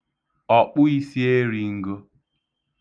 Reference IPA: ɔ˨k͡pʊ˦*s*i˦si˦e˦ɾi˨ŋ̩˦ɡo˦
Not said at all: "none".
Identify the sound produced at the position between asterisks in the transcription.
none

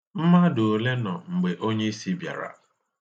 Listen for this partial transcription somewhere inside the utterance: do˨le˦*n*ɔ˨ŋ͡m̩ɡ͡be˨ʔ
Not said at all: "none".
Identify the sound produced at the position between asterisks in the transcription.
n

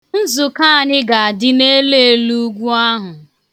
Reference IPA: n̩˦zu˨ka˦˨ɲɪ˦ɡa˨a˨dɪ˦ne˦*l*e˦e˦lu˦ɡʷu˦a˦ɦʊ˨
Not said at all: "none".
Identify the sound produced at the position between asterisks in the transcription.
l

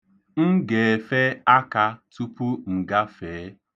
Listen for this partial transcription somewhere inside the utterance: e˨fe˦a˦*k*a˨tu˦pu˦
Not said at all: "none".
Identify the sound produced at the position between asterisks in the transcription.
k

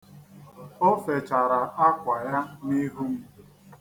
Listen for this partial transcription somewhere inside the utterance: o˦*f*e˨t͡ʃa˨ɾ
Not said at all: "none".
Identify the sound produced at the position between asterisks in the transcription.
f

